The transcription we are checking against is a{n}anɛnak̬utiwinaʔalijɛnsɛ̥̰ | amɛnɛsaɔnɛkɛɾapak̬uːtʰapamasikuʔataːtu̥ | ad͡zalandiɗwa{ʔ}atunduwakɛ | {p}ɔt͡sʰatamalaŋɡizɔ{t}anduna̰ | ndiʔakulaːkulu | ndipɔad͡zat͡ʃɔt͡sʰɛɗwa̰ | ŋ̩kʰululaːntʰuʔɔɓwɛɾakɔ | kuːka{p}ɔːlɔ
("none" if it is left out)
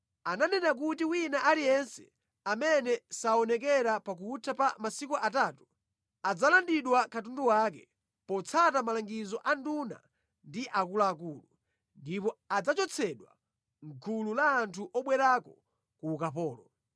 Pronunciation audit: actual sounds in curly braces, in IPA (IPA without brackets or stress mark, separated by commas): n, k, p, ʔ, p